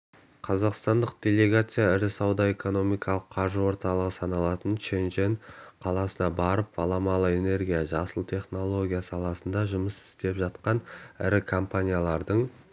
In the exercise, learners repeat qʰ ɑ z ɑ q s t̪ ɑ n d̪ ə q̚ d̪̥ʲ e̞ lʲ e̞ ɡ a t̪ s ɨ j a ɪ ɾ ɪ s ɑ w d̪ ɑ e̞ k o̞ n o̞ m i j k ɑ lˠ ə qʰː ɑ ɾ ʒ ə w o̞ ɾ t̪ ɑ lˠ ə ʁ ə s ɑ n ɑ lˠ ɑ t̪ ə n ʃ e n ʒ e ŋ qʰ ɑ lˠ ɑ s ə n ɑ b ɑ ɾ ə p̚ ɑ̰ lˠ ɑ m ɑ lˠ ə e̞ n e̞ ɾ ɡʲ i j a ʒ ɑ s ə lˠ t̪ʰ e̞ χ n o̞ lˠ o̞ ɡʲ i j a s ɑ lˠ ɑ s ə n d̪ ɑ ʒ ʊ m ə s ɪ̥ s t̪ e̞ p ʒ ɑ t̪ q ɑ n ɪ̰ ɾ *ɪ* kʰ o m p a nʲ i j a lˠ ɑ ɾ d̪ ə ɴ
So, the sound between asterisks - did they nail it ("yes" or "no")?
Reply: yes